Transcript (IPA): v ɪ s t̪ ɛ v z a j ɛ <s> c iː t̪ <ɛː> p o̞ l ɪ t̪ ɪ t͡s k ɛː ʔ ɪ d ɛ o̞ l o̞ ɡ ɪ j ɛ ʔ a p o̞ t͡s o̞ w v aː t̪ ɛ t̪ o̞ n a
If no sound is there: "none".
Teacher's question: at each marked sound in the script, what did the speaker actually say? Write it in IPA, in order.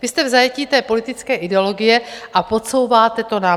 none, ɛː

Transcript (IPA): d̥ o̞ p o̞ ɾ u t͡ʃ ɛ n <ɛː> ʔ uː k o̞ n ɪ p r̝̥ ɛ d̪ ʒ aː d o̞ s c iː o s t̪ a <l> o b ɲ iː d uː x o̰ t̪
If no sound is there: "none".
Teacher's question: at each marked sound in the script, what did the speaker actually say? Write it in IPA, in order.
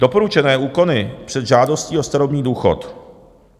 ɛː, ɾ

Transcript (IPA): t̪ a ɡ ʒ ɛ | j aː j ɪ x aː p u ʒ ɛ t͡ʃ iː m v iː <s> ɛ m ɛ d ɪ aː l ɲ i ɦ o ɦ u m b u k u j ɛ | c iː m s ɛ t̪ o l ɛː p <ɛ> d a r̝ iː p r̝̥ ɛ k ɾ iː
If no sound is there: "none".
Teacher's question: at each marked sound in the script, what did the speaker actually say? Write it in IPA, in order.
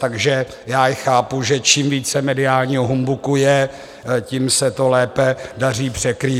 t͡s, ɛ

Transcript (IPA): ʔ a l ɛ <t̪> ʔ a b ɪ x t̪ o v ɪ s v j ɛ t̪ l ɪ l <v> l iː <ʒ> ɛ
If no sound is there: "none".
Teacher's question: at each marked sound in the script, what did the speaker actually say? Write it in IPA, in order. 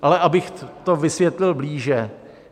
none, b, ʒ

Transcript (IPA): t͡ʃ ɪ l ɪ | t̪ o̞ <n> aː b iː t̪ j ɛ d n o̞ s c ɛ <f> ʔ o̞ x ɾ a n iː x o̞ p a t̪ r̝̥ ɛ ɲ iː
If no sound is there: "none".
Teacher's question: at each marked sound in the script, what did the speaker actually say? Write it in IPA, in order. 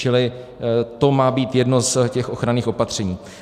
m, x

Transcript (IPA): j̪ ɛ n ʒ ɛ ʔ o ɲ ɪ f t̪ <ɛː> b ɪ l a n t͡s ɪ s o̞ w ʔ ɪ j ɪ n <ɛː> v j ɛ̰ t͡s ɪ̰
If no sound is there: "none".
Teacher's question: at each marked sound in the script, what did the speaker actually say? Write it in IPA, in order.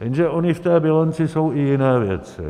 ɛː, ɛː

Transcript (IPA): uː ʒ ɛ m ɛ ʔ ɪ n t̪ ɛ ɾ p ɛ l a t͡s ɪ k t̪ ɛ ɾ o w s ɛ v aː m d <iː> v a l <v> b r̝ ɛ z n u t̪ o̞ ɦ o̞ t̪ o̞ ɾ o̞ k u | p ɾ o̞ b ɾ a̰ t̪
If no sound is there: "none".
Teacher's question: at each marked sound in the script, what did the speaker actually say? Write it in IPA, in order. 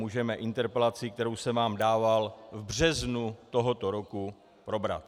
aː, v

